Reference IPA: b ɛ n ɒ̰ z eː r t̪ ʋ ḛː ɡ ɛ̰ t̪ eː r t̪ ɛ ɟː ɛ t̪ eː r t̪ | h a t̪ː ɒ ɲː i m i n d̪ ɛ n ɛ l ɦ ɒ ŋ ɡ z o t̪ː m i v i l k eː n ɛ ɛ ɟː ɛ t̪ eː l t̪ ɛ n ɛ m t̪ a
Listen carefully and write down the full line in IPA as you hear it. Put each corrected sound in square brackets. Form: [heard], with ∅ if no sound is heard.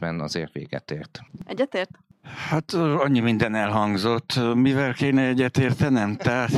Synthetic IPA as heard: b ɛ n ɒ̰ z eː r t̪ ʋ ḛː ɡ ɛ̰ t̪ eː r t̪ ɛ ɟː ɛ t̪ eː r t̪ | h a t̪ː ɒ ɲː i m i n d̪ ɛ n ɛ l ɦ ɒ ŋ ɡ z o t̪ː m i v [ɛ] l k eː n ɛ ɛ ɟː ɛ t̪ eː [r] t̪ ɛ n ɛ m t̪ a